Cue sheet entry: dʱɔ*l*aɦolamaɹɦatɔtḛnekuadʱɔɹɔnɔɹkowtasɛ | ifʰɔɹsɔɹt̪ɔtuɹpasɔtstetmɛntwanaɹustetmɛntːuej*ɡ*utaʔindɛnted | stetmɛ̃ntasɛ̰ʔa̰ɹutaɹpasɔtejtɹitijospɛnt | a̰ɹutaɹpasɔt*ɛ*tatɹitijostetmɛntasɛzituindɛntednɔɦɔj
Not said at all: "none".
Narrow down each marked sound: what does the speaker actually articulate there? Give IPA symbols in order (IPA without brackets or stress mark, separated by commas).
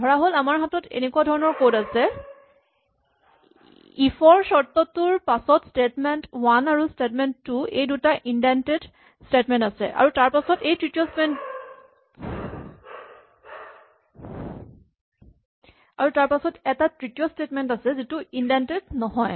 ɹ, d, ɛ